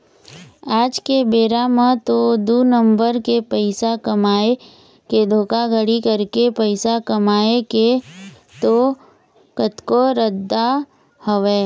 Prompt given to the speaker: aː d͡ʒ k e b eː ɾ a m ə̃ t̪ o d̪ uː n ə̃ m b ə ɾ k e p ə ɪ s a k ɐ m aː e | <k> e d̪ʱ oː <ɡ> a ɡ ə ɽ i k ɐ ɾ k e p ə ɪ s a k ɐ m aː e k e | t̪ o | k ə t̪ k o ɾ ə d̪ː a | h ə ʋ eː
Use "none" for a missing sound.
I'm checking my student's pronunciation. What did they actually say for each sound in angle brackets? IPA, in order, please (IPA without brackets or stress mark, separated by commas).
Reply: k, k